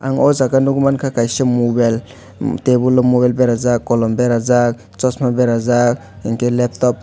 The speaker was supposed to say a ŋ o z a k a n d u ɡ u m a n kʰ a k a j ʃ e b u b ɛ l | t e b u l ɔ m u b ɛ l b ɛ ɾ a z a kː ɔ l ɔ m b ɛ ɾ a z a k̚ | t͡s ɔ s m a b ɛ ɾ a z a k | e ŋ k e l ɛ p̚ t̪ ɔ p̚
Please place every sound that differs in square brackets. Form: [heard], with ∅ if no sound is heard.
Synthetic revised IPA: a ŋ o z a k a n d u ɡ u m a n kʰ a k a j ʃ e [m] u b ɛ l | t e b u l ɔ m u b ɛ l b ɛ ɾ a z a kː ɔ l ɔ m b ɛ ɾ a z a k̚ | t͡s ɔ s m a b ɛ ɾ a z a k | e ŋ k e l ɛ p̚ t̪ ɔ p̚